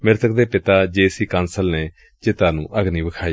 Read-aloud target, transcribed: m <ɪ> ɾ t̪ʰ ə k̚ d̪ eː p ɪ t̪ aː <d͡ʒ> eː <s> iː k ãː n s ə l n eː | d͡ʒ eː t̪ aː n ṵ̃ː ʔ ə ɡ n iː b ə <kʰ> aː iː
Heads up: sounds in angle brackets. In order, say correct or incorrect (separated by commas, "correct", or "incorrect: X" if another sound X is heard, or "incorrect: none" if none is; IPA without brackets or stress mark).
correct, correct, correct, correct